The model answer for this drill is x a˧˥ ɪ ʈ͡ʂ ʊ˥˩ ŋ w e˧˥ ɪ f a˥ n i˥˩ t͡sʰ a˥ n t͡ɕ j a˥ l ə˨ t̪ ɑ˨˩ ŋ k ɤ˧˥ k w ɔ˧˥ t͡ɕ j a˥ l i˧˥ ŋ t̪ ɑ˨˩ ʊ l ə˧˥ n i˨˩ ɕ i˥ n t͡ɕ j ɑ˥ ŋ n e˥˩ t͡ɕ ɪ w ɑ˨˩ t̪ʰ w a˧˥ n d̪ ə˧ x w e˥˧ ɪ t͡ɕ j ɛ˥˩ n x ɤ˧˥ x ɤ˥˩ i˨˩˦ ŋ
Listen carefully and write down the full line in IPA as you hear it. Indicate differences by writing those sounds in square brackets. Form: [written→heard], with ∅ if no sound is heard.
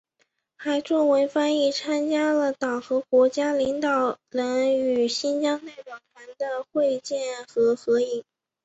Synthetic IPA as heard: x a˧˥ ɪ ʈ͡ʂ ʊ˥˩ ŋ w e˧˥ ɪ f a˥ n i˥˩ t͡sʰ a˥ n t͡ɕ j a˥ l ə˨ t̪ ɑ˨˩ ŋ [k→x] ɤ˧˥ k w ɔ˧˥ t͡ɕ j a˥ l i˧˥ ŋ t̪ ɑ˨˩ ʊ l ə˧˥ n [i˨˩→y˨˩] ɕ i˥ n t͡ɕ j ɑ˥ ŋ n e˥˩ [t͡ɕ→∅] ɪ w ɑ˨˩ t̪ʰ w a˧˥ n d̪ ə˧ x w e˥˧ ɪ t͡ɕ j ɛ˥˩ n x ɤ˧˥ x [ɤ˥˩→ɤ˧˥] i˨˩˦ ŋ